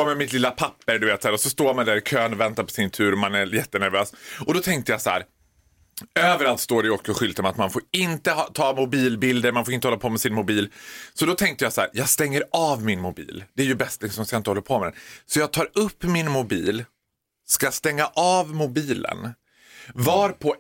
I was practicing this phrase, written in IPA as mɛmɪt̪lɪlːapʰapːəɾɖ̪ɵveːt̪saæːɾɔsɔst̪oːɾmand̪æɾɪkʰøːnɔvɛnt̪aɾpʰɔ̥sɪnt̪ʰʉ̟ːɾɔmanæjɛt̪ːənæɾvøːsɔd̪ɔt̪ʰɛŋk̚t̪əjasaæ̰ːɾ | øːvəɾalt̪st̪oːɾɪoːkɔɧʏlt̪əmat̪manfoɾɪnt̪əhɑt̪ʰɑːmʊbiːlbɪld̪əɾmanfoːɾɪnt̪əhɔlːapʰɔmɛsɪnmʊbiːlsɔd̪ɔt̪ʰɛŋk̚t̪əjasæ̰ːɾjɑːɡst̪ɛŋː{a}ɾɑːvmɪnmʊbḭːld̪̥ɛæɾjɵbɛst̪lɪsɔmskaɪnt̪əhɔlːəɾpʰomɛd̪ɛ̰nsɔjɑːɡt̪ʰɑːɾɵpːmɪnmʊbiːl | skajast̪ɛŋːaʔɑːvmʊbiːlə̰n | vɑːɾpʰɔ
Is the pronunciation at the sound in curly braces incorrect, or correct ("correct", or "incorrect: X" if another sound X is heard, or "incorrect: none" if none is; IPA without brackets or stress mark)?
incorrect: ə